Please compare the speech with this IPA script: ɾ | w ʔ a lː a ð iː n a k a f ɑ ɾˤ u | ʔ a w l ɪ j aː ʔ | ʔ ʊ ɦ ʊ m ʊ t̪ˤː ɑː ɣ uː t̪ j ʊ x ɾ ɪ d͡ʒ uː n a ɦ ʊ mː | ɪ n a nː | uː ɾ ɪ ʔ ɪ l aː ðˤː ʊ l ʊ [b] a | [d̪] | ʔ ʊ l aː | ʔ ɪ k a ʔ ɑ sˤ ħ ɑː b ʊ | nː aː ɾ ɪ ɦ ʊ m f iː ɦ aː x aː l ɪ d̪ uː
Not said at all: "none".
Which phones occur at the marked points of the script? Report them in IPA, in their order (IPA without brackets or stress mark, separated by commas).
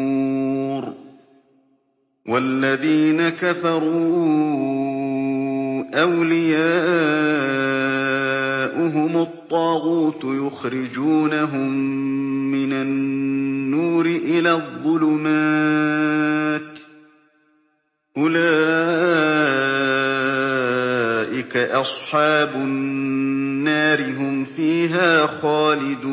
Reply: m, t̪